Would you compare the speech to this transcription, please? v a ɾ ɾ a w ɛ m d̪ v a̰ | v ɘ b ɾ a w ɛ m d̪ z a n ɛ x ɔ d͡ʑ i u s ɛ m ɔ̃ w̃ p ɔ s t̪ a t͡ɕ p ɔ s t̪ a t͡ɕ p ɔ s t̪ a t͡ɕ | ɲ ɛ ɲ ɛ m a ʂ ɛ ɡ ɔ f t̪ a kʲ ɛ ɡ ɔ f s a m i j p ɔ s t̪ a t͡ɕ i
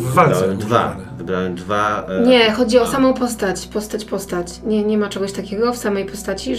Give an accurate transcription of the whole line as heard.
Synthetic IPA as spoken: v a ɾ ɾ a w ɛ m d̪ v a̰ | v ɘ b ɾ a w ɛ m d̪ v a ɲ ɛ x ɔ d͡ʑ i ɔ s a m ɔ̃ w̃ p ɔ s t̪ a t͡ɕ p ɔ s t̪ a t͡ɕ p ɔ s t̪ a t͡ɕ | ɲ ɛ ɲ ɛ m a t͡ʂ ɛ ɡ ɔ ɕ t̪ a kʲ ɛ ɡ ɔ f s a m ɛ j p ɔ s t̪ a t͡ɕ i